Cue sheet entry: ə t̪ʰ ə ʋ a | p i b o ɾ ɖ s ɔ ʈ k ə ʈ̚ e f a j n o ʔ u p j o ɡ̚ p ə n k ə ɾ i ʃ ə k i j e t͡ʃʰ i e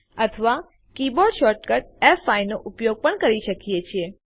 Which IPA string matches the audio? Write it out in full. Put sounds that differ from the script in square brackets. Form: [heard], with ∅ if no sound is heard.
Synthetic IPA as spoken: ə t̪ʰ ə ʋ a | [k] i b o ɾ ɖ [ʃ] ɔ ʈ k ə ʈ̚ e f a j n o ʔ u p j o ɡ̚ p ə [ɳ] k ə ɾ i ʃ ə k i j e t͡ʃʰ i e